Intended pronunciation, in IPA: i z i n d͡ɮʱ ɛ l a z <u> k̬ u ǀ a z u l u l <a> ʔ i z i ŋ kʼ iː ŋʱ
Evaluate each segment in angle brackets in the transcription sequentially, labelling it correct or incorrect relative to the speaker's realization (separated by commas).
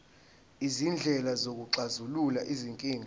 incorrect, correct